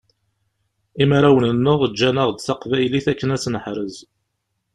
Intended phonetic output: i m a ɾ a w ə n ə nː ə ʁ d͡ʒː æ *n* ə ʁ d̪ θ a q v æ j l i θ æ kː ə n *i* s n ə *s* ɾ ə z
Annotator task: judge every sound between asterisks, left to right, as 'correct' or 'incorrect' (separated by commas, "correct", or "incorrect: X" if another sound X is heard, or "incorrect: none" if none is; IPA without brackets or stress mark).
correct, incorrect: æ, incorrect: ħ